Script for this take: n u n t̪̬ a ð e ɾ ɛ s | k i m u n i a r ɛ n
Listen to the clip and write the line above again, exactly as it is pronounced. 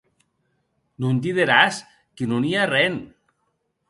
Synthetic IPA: n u n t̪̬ i ð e ɾ a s | k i n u n i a r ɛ n